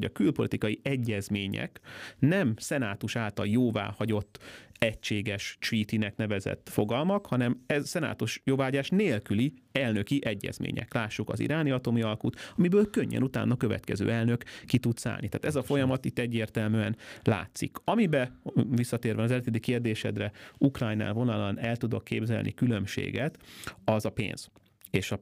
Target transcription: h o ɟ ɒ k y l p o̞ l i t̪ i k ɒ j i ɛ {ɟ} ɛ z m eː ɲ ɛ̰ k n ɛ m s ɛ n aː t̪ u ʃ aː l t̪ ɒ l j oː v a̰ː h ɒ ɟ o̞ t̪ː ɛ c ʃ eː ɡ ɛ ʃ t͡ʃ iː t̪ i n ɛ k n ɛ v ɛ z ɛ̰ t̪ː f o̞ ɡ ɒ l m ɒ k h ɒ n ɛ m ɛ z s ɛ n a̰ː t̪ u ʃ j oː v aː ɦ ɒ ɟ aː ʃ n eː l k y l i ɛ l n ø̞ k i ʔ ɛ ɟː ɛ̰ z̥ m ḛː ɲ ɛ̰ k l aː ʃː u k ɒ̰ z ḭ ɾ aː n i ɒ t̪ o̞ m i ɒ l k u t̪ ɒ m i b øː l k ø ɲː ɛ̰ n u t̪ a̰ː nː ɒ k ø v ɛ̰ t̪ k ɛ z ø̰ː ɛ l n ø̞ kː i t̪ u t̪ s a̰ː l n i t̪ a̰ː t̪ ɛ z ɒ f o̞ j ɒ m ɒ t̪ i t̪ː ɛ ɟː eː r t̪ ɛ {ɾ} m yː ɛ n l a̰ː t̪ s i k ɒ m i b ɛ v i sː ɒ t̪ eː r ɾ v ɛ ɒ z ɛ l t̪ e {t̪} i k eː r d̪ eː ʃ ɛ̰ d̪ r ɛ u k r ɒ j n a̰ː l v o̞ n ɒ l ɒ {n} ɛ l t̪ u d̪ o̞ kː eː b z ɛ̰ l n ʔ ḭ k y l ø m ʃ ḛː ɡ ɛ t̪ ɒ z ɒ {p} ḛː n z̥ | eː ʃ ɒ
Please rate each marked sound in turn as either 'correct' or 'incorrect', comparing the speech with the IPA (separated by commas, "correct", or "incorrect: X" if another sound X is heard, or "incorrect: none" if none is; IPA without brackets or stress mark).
incorrect: ɟː, incorrect: l, incorrect: d̪, correct, correct